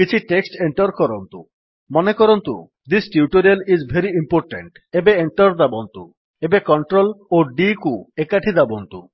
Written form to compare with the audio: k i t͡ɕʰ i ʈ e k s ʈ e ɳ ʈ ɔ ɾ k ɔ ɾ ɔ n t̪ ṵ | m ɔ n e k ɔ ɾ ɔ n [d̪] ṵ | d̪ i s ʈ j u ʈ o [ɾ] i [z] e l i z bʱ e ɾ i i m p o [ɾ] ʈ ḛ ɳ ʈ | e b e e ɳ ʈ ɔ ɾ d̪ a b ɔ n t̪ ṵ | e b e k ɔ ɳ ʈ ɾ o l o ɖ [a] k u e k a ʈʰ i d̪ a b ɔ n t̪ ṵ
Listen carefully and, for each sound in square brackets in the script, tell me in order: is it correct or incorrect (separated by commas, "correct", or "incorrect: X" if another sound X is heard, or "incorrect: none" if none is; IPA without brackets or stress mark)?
incorrect: t̪, correct, incorrect: none, correct, incorrect: i